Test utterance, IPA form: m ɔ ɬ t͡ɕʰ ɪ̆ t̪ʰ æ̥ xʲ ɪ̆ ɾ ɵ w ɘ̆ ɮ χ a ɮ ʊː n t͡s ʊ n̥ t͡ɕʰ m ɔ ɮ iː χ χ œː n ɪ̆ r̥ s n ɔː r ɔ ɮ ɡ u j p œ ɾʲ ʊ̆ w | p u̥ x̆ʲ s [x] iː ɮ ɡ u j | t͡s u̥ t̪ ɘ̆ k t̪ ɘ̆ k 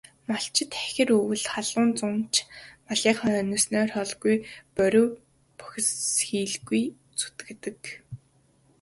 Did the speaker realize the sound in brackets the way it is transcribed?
yes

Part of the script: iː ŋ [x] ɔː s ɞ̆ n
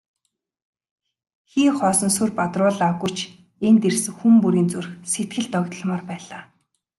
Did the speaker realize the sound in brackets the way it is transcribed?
no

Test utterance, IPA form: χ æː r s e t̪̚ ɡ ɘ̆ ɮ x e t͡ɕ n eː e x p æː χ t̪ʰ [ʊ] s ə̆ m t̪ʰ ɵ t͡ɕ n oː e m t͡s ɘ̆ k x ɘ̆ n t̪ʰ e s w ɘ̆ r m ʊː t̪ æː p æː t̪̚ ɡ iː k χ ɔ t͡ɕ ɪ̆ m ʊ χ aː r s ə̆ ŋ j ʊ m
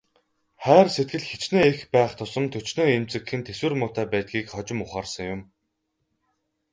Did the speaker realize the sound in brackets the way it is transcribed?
yes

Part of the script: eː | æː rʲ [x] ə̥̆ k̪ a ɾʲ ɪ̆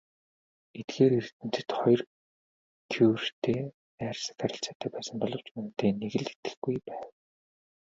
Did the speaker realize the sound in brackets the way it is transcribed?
no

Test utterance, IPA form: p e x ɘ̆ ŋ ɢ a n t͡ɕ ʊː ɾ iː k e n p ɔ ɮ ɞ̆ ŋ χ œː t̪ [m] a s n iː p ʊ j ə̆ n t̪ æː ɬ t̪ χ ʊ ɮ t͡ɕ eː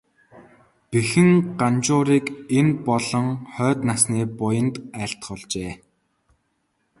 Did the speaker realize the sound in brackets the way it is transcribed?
no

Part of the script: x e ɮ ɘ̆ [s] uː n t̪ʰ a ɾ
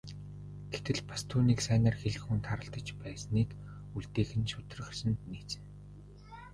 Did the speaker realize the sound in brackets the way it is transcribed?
no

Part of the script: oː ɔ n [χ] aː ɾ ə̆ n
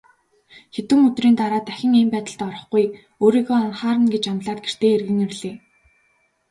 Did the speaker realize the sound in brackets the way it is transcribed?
yes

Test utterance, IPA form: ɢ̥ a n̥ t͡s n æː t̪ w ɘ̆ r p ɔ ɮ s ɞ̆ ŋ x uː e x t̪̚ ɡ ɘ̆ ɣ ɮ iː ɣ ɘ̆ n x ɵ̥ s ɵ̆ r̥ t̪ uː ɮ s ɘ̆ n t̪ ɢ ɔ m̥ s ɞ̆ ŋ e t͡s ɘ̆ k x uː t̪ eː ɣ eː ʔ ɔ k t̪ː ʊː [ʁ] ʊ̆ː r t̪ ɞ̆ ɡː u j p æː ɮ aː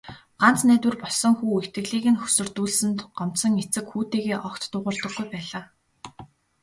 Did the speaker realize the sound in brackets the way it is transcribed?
yes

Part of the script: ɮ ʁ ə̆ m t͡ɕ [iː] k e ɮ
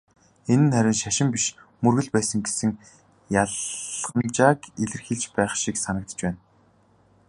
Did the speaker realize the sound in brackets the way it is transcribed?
no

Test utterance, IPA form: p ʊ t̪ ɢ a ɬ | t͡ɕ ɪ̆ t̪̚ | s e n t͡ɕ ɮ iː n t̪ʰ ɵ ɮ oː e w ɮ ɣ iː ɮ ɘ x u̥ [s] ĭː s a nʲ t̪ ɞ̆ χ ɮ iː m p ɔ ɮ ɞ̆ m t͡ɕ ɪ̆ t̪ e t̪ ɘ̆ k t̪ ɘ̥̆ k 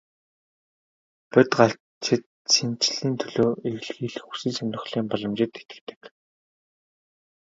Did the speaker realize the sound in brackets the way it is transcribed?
yes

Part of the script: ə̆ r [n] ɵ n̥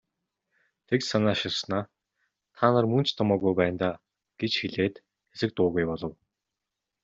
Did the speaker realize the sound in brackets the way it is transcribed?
no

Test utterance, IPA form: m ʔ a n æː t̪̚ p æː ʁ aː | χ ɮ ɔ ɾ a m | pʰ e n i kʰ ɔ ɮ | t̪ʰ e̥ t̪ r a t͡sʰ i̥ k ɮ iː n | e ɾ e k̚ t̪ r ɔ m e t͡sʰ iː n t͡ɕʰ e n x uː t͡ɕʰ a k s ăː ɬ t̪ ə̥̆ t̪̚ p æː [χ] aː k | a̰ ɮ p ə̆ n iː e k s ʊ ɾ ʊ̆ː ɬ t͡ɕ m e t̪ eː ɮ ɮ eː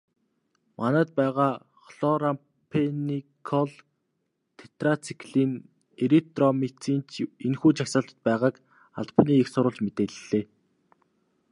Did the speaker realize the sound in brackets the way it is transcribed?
no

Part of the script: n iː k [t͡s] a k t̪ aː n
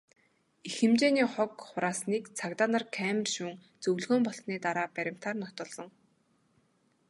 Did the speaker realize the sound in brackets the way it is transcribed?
no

